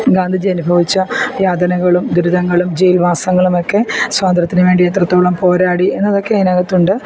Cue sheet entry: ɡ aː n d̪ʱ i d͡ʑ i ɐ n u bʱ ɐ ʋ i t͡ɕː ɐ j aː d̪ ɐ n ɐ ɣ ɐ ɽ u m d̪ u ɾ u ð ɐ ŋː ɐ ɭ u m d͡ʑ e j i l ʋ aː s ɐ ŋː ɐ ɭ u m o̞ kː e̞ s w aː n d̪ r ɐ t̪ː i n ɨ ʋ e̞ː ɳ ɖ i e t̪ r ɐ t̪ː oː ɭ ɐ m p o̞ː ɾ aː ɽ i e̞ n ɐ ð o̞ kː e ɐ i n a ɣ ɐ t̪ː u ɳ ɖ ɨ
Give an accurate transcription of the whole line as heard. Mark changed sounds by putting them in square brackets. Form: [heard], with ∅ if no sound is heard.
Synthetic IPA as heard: ɡ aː n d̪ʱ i d͡ʑ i ɐ n u bʱ ɐ ʋ i t͡ɕː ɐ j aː d̪ ɐ n ɐ ɣ ɐ [ɭ] u m d̪ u ɾ u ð ɐ ŋː ɐ ɭ u m d͡ʑ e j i l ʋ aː s ɐ ŋː ɐ ɭ u m o̞ kː e̞ s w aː n d̪ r ɐ t̪ː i n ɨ ʋ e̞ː ɳ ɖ i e t̪ r ɐ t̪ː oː ɭ ɐ m p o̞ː ɾ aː ɽ i e̞ [nː] ɐ ð o̞ kː e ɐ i n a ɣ ɐ t̪ː u ɳ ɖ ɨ